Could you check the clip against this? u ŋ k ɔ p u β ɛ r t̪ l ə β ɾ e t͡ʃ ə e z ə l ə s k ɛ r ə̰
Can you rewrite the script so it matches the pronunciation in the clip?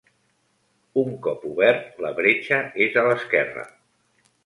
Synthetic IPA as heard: u ŋ k ɔ p u β ɛ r t̪ l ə β ɾ e t͡ʃ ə e z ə l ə s k ɛ r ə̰